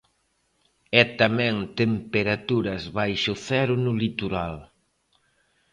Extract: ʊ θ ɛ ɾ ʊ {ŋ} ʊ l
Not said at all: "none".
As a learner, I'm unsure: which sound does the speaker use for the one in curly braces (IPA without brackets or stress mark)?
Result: n